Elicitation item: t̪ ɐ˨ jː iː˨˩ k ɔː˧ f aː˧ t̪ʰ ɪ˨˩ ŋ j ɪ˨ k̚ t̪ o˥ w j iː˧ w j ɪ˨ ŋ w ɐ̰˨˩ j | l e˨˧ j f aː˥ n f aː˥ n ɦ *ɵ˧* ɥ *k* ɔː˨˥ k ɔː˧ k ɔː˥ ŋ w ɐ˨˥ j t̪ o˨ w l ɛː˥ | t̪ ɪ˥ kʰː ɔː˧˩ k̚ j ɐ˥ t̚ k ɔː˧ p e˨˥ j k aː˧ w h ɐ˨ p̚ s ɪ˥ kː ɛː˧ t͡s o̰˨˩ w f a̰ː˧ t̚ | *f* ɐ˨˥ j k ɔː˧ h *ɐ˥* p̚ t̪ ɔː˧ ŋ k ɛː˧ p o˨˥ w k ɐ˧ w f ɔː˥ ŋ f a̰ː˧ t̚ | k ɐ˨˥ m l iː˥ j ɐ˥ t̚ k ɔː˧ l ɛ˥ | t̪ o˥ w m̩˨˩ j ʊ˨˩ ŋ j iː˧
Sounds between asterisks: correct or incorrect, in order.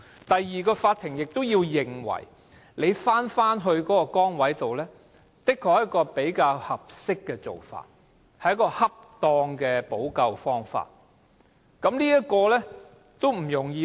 correct, correct, incorrect, correct

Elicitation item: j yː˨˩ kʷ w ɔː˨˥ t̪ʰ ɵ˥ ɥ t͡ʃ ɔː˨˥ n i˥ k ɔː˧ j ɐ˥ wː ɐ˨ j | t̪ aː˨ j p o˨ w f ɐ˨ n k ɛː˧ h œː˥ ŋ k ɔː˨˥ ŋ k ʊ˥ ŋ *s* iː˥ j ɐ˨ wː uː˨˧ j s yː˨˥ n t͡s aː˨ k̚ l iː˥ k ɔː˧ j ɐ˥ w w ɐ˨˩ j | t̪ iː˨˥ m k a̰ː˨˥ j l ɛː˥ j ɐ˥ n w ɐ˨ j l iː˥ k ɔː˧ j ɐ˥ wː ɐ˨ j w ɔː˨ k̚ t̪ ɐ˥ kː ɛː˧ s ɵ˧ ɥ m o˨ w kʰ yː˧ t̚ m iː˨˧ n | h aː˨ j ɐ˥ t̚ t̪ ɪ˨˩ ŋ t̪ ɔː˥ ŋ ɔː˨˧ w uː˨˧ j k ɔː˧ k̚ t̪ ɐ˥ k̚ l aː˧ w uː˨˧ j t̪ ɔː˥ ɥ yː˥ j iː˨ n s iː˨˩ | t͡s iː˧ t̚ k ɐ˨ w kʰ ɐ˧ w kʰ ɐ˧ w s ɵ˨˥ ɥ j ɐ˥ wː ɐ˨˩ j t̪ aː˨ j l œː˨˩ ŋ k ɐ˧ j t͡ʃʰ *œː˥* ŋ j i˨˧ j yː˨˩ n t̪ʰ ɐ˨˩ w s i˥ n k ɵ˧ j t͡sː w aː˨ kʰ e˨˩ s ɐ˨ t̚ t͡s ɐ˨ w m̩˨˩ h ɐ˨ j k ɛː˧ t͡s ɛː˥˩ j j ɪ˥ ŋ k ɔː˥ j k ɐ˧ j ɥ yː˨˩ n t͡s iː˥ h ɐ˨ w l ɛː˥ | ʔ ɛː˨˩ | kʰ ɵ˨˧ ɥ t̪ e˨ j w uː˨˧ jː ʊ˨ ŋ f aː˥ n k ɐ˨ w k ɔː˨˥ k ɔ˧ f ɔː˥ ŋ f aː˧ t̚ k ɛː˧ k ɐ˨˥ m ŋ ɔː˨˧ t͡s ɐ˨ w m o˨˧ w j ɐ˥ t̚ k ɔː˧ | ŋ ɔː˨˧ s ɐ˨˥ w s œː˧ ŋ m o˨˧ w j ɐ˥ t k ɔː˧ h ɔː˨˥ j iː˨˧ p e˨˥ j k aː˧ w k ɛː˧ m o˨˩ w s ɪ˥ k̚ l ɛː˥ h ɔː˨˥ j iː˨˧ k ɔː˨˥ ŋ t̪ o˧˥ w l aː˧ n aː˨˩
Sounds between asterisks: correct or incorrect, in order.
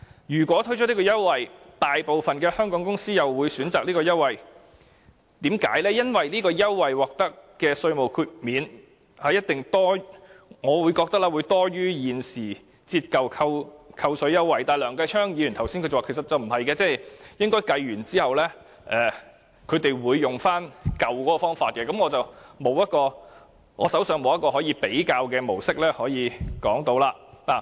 correct, correct

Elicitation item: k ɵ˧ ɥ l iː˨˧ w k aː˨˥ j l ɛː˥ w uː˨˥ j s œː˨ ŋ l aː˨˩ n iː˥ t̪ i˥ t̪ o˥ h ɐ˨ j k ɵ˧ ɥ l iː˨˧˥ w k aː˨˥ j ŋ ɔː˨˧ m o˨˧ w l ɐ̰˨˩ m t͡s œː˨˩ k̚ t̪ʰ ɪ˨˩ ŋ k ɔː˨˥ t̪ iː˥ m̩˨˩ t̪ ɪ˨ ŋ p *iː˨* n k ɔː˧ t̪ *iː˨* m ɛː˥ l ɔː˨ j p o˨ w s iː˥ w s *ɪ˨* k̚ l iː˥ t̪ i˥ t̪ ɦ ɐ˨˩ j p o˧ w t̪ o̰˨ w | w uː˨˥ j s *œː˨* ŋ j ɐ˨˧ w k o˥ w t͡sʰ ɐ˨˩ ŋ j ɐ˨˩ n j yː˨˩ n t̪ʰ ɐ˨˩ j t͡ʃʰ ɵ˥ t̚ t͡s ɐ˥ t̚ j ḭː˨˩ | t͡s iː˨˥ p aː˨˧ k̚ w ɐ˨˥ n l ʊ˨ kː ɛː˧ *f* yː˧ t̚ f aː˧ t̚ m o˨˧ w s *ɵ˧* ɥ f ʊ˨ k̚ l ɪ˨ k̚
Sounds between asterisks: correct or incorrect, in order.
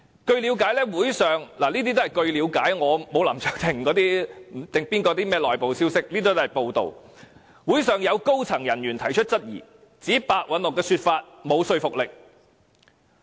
incorrect, incorrect, incorrect, correct, incorrect, correct

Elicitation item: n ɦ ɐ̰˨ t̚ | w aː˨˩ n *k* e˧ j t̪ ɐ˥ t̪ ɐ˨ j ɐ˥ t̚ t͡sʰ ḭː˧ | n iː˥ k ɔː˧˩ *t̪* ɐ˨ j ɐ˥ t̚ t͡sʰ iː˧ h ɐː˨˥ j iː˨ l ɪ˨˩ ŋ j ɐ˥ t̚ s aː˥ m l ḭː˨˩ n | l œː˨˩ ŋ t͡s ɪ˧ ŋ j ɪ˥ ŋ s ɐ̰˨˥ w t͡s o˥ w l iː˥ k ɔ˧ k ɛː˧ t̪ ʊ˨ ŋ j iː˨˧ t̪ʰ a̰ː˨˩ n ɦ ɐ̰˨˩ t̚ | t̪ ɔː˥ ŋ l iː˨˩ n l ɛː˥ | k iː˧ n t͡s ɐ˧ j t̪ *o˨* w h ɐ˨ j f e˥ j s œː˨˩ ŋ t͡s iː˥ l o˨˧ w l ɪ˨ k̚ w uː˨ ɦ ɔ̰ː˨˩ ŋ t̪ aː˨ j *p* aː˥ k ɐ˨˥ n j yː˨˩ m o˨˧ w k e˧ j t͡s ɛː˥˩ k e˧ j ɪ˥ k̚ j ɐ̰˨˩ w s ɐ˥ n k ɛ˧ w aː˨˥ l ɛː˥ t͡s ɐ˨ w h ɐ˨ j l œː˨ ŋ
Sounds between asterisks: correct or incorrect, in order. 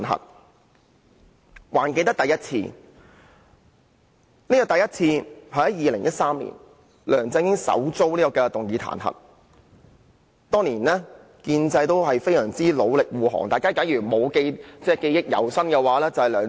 correct, correct, incorrect, incorrect

